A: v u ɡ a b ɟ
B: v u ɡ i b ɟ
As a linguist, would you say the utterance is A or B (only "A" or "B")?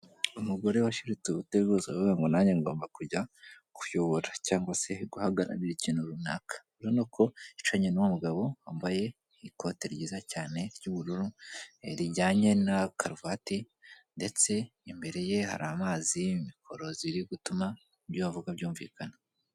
A